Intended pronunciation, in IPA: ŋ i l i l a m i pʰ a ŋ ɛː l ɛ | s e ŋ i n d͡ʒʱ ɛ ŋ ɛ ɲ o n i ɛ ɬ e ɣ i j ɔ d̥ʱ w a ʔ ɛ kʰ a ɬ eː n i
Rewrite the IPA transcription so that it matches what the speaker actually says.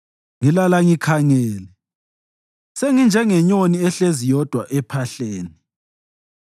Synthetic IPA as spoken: ŋ i l a l a ŋ i kʰ a ŋ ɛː l ɛ | s e ŋ i n d͡ʒʱ ɛ ŋ ɛ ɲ o n i ɛ ɬ e z i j ɔ d̥ʱ w a ʔ ɛ pʰ a ɬ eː n i